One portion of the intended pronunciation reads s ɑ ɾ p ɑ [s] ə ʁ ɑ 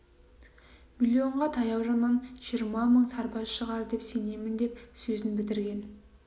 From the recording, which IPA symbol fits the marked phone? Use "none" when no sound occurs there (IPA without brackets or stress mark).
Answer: ʃ